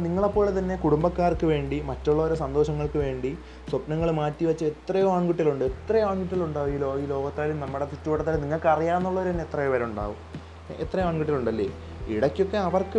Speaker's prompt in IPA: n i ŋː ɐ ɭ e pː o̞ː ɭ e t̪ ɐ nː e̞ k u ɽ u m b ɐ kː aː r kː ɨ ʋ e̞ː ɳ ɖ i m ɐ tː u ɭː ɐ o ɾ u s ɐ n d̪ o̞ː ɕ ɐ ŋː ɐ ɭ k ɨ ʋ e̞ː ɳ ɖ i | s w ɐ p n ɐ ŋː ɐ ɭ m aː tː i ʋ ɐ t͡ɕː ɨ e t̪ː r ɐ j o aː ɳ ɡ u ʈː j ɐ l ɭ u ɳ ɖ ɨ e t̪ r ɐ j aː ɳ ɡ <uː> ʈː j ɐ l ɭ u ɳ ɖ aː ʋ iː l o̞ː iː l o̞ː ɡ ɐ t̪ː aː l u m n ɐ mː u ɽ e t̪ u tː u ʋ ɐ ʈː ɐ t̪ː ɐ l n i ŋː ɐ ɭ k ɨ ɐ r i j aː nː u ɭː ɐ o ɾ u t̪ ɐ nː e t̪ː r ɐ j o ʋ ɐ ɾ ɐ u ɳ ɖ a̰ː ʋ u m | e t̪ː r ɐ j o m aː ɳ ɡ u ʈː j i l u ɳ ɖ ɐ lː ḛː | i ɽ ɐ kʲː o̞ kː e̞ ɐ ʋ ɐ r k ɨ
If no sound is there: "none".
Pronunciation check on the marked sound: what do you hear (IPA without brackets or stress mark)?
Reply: u